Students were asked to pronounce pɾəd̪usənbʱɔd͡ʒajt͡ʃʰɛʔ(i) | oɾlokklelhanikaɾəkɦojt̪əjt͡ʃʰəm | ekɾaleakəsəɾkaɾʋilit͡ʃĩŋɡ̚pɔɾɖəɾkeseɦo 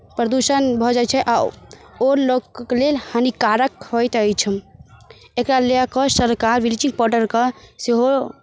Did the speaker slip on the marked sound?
yes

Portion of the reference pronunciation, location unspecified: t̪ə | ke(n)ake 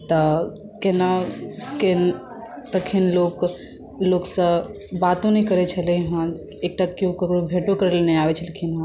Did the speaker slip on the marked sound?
no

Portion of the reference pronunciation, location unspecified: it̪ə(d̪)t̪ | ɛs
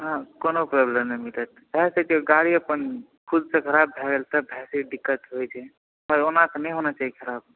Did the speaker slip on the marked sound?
yes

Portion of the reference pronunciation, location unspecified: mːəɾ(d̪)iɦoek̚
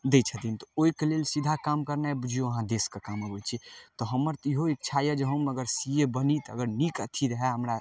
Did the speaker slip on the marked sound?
yes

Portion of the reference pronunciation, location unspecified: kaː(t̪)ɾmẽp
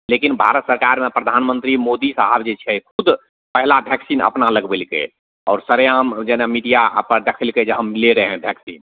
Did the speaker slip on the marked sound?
yes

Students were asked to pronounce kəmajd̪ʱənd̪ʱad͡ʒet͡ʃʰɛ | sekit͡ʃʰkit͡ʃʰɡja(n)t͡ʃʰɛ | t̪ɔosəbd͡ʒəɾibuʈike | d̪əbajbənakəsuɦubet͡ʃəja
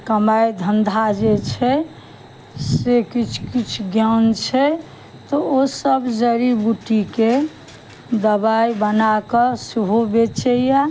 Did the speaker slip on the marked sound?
no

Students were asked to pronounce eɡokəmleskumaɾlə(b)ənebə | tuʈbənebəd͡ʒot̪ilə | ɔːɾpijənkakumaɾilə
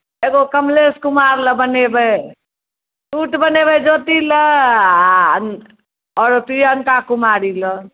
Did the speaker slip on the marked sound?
no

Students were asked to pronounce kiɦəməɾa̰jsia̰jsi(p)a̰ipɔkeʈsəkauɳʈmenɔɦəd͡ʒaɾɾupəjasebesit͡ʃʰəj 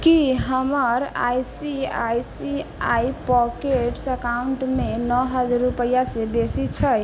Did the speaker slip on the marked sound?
yes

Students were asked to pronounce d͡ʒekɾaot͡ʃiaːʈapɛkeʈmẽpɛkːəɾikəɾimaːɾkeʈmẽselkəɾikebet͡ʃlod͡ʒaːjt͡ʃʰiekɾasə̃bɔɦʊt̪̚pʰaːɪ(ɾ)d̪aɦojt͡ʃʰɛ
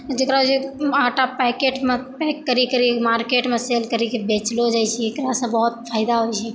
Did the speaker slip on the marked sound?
yes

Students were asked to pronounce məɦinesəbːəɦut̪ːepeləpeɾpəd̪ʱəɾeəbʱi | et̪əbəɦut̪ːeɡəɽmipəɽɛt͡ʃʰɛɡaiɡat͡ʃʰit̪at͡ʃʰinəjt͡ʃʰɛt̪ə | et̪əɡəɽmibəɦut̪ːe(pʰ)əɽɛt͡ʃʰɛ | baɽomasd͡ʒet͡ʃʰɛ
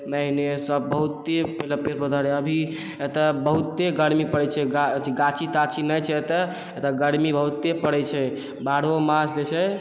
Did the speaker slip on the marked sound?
yes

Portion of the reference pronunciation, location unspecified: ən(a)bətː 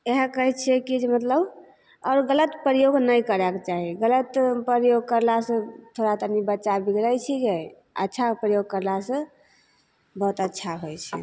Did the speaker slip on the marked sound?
yes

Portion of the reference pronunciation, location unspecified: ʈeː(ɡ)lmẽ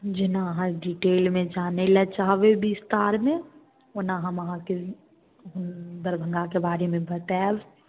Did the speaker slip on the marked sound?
yes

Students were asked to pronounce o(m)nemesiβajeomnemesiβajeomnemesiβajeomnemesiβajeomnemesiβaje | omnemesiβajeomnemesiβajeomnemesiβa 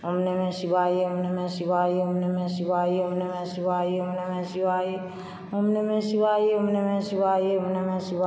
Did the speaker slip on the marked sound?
no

